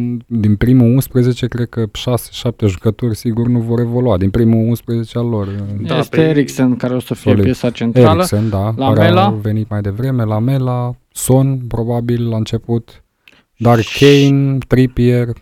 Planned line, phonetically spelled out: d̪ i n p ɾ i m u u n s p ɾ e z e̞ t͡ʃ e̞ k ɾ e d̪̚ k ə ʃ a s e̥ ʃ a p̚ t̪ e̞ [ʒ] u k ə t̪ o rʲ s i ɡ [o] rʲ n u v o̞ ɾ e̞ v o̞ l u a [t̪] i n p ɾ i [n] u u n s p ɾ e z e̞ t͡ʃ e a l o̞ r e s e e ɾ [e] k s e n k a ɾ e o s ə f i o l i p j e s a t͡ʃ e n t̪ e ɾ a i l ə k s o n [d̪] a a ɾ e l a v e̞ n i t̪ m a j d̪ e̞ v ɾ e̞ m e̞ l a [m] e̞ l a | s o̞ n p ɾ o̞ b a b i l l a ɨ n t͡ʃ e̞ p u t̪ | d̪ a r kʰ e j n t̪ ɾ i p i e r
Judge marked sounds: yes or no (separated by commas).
yes, no, no, no, no, yes, yes